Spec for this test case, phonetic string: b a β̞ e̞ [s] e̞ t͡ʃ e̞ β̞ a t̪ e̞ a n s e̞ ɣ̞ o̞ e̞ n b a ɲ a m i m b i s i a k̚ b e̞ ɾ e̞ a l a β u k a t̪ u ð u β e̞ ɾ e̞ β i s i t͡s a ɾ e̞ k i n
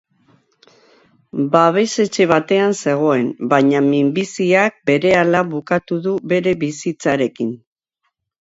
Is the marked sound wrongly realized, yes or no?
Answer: no